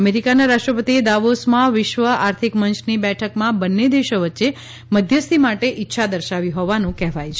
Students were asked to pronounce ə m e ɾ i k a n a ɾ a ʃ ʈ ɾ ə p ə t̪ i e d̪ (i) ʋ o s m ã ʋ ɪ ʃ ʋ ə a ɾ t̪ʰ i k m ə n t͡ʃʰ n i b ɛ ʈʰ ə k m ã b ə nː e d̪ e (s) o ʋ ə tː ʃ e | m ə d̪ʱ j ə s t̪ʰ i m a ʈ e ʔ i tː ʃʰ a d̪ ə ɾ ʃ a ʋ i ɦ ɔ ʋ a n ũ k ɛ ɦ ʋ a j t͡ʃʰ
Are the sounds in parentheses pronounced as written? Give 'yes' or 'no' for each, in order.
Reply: no, no

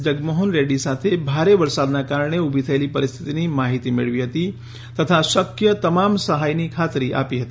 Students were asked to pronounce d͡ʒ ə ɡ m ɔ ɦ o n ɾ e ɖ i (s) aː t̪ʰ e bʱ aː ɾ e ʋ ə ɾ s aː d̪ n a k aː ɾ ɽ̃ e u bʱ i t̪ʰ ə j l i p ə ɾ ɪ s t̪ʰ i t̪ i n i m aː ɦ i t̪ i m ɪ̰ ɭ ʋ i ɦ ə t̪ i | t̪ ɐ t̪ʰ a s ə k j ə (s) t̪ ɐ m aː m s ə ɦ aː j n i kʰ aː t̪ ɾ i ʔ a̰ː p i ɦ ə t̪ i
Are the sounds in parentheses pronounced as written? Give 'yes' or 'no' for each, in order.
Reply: yes, no

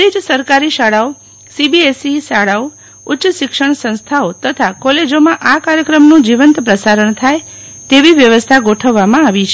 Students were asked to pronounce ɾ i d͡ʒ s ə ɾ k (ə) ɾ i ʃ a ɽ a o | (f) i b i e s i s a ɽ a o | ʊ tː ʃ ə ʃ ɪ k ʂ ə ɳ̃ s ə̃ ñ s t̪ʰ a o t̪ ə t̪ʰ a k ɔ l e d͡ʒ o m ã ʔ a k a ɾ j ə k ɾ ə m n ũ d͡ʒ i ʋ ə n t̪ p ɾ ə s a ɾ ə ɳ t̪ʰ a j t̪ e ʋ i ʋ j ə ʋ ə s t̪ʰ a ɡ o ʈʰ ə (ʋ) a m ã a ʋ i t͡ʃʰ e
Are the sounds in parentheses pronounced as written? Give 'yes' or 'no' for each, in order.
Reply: no, no, no

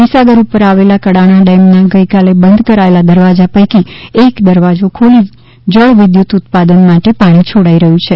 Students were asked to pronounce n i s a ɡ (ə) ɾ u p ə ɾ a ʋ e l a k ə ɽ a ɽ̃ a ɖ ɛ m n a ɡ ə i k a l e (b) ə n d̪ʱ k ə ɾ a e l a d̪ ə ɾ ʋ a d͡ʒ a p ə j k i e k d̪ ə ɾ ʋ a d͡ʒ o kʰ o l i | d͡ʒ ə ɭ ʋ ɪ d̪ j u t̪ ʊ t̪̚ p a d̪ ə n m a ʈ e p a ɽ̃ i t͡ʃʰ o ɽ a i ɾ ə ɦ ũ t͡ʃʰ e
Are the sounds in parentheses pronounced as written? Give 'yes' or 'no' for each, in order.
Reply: yes, yes

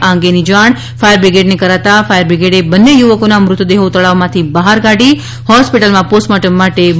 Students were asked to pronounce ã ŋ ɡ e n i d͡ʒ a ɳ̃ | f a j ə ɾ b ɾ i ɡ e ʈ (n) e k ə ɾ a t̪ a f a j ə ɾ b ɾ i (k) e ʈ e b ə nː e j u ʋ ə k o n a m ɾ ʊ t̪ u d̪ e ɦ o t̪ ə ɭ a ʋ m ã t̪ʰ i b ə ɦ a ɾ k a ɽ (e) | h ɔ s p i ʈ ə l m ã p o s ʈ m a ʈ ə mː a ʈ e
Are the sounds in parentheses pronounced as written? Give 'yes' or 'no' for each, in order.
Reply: yes, no, no

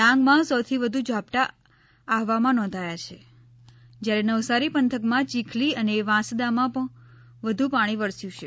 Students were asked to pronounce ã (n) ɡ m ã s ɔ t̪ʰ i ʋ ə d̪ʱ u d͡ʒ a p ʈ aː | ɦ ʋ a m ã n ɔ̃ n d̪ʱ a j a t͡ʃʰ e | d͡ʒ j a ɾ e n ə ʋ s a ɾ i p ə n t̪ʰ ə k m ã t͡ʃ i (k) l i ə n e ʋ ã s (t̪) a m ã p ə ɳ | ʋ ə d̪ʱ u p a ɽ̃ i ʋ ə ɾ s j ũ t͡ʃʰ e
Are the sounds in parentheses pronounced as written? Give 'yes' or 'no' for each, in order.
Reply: no, no, no

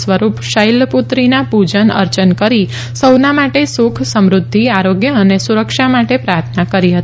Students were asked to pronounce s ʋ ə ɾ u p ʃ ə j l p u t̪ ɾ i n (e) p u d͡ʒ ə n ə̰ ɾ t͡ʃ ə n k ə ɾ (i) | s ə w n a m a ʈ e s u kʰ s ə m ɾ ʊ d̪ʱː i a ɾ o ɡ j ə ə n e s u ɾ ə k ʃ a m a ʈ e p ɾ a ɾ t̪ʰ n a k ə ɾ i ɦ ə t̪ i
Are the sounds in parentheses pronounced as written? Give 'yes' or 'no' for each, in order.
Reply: no, yes

